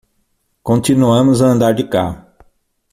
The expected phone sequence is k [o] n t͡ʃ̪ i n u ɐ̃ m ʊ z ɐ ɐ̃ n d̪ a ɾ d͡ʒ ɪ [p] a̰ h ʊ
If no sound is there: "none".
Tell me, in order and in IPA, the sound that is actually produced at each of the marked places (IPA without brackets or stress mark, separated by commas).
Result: õ, k